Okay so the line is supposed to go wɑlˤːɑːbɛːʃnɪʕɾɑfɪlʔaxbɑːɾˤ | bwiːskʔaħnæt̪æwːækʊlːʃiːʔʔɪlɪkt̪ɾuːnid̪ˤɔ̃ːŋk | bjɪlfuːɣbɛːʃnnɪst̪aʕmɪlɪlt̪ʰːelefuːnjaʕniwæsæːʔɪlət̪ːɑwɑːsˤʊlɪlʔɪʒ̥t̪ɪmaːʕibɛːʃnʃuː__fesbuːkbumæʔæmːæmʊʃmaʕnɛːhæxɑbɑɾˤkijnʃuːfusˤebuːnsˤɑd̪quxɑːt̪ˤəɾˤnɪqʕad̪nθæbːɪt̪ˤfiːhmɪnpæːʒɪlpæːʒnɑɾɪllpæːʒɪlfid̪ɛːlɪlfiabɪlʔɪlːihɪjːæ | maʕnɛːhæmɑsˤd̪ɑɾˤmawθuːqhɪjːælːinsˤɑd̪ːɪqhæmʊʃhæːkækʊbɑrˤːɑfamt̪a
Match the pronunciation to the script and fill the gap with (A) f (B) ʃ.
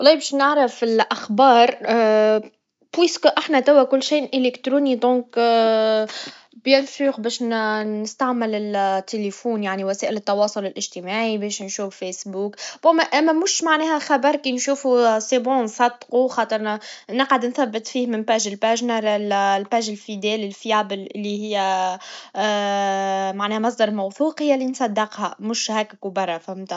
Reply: A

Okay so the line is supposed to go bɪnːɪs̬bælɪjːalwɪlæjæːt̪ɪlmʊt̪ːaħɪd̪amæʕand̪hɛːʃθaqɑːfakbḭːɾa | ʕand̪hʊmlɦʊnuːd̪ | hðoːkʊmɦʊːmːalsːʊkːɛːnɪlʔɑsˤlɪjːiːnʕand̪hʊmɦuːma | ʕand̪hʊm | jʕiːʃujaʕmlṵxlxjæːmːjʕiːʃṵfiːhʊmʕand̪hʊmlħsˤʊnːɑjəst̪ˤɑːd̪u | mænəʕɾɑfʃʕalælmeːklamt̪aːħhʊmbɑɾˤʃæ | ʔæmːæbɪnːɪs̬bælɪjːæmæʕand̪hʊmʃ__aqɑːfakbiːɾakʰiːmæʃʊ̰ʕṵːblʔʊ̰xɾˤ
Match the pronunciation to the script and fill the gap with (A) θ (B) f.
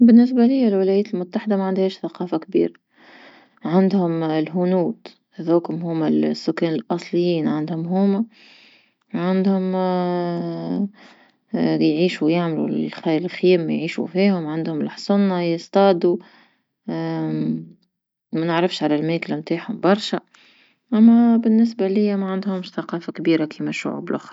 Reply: A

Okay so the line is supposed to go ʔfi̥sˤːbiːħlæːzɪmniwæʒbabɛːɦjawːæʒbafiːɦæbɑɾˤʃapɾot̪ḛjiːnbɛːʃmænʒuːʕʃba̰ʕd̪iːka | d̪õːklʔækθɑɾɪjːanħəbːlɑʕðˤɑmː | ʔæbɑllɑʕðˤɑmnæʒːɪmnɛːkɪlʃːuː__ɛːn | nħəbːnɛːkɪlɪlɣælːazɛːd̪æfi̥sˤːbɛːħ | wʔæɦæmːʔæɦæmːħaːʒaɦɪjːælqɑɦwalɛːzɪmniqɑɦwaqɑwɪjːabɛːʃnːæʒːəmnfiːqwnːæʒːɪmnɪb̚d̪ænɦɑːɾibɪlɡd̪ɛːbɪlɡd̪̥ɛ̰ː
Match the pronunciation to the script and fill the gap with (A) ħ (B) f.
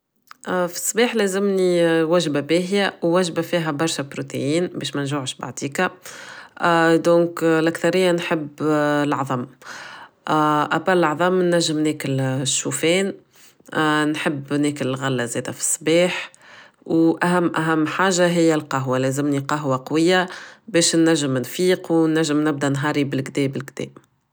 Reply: B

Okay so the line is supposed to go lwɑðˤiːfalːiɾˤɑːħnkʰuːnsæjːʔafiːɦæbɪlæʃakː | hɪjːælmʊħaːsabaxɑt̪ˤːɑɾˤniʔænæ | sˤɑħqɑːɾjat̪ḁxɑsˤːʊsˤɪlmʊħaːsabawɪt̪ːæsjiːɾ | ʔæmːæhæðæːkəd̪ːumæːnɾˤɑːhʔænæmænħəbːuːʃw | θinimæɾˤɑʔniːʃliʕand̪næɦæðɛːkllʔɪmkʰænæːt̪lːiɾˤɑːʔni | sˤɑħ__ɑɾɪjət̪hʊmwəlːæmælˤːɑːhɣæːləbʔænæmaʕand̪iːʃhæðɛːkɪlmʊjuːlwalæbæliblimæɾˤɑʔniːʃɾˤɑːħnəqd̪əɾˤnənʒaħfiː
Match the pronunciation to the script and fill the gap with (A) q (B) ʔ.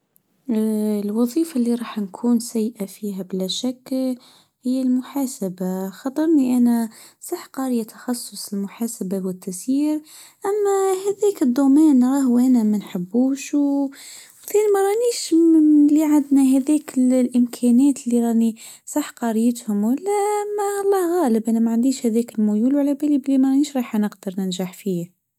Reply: A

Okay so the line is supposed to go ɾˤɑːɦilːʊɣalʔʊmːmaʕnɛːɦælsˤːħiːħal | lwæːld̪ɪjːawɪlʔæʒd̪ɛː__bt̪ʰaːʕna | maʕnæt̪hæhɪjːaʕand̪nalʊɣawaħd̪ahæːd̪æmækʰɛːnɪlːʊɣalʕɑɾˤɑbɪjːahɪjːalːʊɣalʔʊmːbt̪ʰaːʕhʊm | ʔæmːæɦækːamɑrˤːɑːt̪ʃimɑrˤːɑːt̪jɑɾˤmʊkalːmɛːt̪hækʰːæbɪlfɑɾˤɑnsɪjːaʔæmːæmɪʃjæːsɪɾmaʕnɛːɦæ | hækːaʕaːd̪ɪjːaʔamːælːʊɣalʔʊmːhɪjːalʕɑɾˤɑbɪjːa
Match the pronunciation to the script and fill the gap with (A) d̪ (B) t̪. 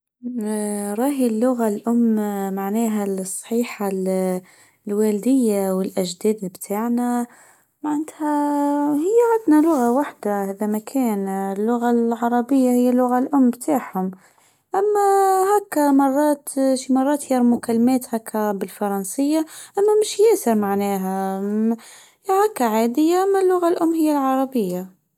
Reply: A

